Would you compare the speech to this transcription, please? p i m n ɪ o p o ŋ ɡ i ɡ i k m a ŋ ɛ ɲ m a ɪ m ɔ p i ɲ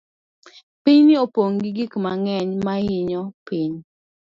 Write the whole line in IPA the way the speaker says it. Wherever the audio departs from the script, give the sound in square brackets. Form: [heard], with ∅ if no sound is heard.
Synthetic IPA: p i [ɲ] n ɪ o p o ŋ ɡ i ɡ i k m a ŋ ɛ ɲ m a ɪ [ɲ] ɔ p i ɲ